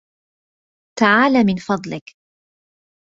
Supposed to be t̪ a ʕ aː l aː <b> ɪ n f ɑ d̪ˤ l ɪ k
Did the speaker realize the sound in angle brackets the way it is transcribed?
no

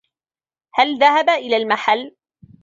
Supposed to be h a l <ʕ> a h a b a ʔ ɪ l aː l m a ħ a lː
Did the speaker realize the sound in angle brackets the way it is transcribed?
no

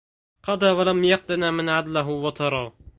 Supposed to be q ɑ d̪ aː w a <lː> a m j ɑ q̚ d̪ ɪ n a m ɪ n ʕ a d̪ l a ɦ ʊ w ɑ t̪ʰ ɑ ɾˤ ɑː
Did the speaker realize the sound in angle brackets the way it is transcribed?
no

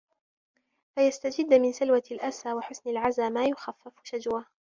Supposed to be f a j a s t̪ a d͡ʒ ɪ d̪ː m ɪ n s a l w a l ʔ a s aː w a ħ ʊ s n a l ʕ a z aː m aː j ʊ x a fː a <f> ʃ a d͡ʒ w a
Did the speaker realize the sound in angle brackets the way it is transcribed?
yes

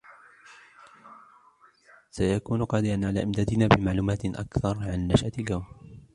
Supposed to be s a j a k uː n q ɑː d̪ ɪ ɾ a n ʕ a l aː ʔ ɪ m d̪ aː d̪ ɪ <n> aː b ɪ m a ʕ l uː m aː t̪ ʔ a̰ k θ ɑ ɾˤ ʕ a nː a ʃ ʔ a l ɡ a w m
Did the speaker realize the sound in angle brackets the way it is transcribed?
yes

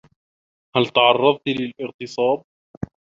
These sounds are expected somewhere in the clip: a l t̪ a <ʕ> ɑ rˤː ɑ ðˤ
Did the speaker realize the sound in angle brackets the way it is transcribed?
yes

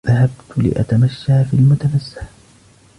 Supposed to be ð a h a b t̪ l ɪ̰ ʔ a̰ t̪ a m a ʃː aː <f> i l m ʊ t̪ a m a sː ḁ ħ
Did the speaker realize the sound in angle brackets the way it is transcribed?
yes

